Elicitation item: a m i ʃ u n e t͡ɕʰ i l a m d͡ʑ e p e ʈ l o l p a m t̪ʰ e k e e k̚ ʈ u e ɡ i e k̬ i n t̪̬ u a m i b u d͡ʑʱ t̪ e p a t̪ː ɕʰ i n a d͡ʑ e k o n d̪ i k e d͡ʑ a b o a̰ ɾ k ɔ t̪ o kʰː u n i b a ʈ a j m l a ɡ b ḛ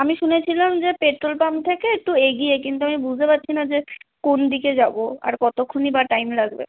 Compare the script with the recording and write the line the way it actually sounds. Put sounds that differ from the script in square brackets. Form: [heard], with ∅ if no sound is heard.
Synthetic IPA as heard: a m i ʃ u n e t͡ɕʰ i l a m d͡ʑ e p e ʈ [ɾ] o l p a m t̪ʰ e k e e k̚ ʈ u e ɡ i e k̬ i n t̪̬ u a m i b u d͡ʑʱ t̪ e p a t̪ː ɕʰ i n a d͡ʑ e k o n d̪ i k e d͡ʑ a b o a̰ ɾ k ɔ t̪ o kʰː [o] n i b a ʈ a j m l a ɡ b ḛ